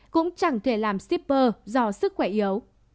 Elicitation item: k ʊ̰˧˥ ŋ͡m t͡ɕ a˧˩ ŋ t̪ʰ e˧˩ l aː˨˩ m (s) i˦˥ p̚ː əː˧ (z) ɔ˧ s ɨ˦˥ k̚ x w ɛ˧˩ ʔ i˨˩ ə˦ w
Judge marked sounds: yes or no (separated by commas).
yes, yes